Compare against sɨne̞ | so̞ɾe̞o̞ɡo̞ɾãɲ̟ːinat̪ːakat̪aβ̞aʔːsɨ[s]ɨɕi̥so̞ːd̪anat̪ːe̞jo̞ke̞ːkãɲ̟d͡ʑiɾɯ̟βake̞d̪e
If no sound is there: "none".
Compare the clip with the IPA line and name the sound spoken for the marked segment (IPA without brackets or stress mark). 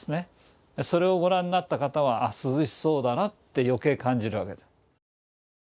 z